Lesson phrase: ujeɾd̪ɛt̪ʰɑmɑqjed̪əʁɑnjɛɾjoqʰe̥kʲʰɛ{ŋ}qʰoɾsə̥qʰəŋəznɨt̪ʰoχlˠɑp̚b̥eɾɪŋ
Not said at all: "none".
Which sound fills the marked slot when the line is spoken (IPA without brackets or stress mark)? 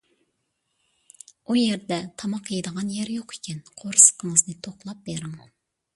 n